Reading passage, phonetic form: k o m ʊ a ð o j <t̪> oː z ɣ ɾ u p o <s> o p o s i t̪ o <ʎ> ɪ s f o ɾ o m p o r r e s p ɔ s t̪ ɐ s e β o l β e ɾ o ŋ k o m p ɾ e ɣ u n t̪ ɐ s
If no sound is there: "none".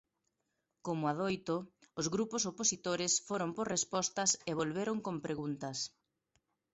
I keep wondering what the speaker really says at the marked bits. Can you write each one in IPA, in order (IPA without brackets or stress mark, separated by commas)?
t̪, s, ɾ